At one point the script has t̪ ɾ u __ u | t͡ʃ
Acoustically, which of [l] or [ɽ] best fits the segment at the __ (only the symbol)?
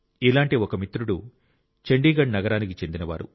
ɽ